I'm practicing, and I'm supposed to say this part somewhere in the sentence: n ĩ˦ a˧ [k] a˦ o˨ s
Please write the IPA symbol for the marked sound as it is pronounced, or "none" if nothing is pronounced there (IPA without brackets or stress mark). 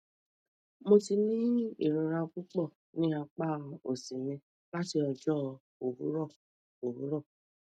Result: k͡p